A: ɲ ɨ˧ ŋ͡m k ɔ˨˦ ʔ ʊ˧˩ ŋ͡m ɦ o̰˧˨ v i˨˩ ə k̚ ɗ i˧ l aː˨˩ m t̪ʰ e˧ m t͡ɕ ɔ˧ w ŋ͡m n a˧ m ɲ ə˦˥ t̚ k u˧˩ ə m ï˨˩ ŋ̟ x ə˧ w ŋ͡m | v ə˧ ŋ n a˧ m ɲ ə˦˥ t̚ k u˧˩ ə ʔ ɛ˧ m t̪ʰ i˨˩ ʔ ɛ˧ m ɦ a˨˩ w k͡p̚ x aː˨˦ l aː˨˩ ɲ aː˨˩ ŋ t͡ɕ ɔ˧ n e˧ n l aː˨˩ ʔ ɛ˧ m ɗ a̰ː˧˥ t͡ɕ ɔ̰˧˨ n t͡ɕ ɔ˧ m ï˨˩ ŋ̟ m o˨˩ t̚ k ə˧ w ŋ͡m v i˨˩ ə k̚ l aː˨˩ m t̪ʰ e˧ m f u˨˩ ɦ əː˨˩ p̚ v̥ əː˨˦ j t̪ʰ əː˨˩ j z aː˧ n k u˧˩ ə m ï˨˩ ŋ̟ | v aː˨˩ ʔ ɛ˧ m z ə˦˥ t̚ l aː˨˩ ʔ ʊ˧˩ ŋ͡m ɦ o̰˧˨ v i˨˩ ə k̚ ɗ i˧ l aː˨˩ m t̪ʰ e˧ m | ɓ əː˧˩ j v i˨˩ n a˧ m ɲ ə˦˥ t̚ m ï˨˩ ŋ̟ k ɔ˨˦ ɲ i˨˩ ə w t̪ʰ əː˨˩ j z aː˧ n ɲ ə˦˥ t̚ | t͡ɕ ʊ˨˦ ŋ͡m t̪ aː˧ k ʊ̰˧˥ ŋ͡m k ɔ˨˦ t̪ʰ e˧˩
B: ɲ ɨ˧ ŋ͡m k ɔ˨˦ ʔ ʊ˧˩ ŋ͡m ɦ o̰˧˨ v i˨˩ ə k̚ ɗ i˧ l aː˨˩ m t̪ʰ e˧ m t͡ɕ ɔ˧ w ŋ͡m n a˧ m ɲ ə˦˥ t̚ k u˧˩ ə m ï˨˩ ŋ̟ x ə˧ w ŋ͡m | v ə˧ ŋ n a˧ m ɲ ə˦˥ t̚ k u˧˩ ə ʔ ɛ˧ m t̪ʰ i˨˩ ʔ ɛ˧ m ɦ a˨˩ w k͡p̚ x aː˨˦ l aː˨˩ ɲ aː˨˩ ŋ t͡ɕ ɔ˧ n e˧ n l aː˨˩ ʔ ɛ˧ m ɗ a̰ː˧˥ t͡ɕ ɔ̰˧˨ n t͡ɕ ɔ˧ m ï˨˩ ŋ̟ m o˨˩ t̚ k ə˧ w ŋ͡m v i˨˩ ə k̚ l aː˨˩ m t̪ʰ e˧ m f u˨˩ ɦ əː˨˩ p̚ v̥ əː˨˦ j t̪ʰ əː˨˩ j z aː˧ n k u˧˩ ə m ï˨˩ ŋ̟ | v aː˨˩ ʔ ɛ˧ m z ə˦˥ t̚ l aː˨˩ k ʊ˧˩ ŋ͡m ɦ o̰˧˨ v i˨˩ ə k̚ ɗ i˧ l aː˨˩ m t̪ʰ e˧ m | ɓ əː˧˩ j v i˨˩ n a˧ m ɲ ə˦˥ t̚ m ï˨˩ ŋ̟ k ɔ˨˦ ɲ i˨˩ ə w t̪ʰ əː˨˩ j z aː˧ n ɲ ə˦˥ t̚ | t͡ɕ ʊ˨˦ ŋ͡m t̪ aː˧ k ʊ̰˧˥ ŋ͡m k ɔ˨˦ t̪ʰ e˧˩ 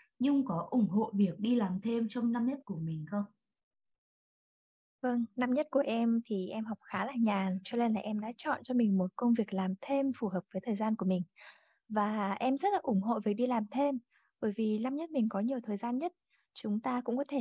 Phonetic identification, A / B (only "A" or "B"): A